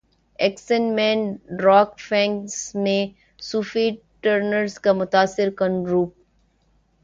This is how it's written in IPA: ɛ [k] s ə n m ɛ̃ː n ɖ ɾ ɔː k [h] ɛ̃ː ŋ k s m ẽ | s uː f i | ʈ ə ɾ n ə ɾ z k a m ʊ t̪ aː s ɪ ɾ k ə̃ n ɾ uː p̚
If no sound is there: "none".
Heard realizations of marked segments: k, f

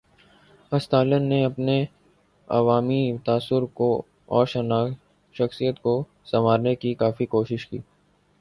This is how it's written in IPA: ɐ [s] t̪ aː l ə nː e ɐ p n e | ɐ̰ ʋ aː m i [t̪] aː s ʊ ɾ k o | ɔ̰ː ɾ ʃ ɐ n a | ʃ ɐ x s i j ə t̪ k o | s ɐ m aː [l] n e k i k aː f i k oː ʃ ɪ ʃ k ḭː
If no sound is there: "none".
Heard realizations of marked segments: s, t̪, ɾ

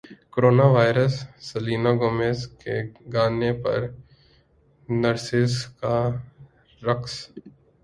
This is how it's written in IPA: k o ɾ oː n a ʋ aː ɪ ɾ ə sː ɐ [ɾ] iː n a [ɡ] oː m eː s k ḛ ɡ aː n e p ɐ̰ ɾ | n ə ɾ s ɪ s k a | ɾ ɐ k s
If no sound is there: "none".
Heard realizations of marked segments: l, ɡ

